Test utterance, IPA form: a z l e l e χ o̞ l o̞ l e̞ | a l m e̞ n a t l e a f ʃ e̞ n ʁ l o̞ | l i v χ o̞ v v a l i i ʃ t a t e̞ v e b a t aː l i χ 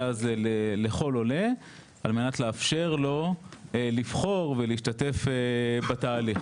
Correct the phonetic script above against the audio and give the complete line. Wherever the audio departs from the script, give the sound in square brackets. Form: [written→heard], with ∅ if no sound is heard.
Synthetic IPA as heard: a z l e l e χ o̞ l o̞ l e̞ | a l m e̞ n a t l e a f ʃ e̞ [n→∅] ʁ l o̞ | l i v χ o̞ [v→ʁ] v [a→e] l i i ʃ t a t e̞ [v→f] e b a t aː l i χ